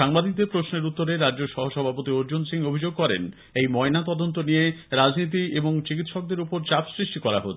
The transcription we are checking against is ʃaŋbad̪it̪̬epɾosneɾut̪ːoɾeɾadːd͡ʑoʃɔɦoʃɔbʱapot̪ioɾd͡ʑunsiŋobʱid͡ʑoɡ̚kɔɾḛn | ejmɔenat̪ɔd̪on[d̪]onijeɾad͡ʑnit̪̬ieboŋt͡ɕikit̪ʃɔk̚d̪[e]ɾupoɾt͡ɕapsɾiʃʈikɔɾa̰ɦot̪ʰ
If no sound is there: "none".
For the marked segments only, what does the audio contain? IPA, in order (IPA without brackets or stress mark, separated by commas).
t̪, e